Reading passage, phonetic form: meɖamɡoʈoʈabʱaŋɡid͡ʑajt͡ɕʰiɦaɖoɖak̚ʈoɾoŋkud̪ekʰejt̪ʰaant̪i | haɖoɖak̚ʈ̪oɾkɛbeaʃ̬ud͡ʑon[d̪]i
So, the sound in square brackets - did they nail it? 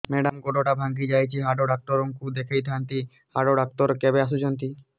no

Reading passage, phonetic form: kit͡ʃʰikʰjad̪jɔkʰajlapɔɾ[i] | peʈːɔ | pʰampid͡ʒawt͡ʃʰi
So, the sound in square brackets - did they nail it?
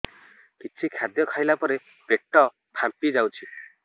no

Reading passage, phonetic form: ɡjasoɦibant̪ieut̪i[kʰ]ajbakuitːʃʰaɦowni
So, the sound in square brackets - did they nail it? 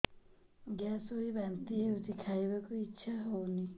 yes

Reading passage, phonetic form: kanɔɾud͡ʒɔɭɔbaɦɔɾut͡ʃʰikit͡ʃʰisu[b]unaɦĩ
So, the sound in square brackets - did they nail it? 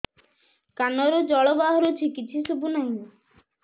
yes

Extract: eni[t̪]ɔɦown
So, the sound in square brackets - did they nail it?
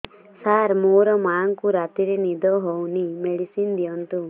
no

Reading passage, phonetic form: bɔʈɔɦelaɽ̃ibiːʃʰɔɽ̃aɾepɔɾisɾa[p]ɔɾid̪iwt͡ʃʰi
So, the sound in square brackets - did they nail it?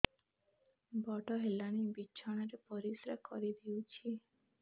no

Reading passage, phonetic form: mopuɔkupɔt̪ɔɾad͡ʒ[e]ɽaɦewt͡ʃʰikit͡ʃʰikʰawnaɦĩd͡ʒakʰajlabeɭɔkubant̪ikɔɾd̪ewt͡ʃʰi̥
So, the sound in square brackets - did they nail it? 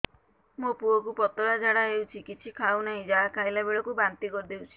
no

